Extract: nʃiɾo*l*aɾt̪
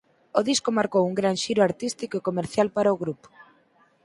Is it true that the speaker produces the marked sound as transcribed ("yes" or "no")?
no